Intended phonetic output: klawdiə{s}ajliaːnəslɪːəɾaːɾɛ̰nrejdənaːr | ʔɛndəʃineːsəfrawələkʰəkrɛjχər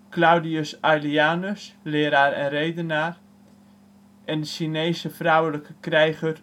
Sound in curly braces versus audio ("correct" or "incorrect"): correct